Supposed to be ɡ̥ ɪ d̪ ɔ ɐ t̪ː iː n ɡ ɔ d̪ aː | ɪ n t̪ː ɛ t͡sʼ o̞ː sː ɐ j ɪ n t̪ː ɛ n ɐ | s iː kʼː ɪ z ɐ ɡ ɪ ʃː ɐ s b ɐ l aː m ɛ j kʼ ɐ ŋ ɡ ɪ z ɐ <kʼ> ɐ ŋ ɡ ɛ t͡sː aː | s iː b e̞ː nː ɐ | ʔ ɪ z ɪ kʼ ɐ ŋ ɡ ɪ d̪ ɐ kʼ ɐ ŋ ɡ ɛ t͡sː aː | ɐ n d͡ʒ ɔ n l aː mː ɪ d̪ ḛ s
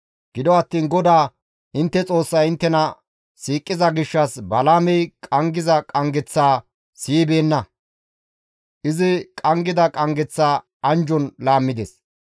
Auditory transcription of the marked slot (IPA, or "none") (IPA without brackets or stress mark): kʼ